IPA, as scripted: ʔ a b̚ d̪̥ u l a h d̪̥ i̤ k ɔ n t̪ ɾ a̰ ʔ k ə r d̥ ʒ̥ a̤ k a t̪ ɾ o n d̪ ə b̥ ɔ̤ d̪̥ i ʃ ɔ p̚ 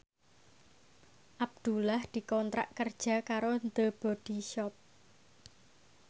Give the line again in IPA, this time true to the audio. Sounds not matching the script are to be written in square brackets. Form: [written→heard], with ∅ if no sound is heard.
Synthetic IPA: ʔ a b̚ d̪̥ u l a h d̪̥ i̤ k ɔ n t̪ ɾ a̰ ʔ k ə r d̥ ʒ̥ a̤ k a [t̪→∅] ɾ o n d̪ ə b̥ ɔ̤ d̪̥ i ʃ ɔ p̚